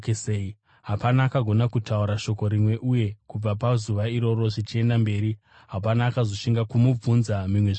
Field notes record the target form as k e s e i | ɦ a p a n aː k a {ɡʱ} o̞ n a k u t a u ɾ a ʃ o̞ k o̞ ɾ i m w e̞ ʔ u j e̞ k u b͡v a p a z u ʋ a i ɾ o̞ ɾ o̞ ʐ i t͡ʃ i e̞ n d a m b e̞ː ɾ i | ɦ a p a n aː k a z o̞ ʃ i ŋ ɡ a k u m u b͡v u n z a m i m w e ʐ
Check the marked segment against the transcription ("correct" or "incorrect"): correct